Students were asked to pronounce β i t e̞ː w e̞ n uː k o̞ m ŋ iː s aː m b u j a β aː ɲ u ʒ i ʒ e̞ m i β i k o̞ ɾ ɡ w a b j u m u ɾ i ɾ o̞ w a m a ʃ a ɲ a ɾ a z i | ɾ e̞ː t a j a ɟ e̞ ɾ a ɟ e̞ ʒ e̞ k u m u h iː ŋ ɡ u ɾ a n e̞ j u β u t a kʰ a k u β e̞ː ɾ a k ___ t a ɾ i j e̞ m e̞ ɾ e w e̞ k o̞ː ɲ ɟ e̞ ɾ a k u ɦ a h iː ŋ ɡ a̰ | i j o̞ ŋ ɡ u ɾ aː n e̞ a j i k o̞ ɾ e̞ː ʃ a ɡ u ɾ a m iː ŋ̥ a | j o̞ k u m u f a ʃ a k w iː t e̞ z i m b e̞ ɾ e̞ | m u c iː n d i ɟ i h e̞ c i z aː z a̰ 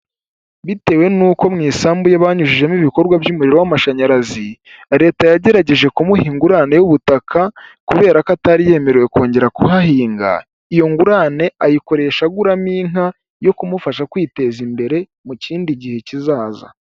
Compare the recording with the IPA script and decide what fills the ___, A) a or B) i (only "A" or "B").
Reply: A